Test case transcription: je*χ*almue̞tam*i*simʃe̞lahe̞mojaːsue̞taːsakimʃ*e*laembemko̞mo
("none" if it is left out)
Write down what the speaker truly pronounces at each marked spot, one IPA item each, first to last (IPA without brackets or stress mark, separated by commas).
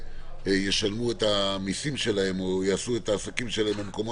ʃ, i, e